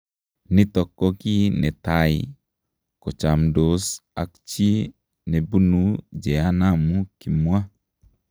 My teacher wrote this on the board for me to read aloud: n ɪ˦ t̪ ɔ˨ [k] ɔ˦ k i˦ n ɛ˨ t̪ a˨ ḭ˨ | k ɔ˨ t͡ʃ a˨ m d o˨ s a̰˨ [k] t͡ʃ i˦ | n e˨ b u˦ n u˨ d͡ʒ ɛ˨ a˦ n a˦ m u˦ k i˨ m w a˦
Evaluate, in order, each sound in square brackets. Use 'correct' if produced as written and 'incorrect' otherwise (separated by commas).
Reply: correct, correct